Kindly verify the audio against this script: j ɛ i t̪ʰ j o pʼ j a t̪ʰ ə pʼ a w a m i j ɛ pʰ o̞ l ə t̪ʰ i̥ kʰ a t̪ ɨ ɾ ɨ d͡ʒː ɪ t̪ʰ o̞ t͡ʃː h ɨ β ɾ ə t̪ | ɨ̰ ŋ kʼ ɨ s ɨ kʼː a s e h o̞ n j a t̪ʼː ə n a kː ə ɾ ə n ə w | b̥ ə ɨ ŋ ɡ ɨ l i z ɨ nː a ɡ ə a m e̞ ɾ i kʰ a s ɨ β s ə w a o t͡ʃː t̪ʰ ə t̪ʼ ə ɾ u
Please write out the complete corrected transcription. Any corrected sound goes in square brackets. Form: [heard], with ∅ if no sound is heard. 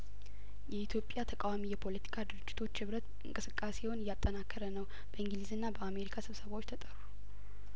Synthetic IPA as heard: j ɛ i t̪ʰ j o pʼ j a t̪ʰ ə [kʼ] a w a m i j ɛ pʰ o̞ l ə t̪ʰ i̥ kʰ a [d̪] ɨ ɾ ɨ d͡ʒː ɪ t̪ʰ o̞ t͡ʃː h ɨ β ɾ ə t̪ | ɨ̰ ŋ kʼ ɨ s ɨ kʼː a s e h o̞ n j a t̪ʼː ə n a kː ə ɾ ə n ə w | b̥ ə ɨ ŋ ɡ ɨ l i z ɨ nː a [b] ə a m e̞ ɾ i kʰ a s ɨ β s ə [β] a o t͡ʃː t̪ʰ ə t̪ʼ ə ɾ u